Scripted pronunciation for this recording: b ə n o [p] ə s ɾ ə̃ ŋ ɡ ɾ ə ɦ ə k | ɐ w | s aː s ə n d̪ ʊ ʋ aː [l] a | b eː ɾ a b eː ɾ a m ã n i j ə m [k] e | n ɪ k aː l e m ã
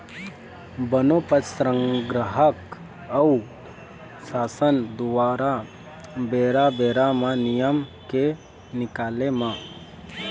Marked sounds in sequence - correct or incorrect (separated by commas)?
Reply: correct, incorrect, correct